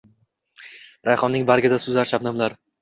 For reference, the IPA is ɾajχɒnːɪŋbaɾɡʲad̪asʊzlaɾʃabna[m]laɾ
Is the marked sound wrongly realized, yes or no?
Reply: no